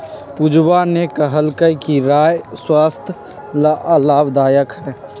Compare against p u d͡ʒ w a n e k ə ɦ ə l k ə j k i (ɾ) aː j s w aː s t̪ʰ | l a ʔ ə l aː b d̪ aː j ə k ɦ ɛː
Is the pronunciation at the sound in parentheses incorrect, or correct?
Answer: correct